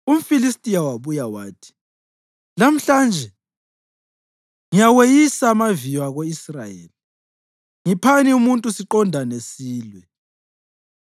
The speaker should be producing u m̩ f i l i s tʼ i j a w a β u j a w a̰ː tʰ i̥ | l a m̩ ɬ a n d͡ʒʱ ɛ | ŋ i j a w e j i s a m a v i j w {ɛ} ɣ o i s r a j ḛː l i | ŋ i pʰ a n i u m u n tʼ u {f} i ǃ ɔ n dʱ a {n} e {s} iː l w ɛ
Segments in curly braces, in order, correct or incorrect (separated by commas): incorrect, incorrect, correct, correct